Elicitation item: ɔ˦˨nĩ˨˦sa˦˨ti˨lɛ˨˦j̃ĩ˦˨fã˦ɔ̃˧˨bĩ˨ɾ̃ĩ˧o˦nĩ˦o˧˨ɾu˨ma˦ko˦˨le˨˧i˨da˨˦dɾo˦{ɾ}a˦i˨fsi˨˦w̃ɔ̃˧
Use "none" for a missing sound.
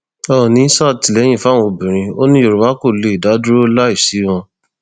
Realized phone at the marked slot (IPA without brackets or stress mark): l